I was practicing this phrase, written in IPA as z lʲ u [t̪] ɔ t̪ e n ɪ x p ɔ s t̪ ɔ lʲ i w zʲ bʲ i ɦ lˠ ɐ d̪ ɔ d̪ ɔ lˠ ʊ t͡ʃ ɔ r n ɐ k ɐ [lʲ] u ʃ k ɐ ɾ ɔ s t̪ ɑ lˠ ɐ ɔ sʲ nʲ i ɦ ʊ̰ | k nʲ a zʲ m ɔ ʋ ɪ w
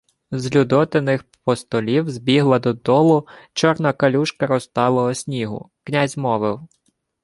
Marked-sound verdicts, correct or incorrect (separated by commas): incorrect, correct